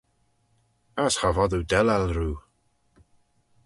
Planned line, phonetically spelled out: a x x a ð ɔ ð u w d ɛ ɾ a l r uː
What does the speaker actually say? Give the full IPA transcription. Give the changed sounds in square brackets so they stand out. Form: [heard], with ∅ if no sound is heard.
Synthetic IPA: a [s] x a [v] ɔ ð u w d ɛ [l] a l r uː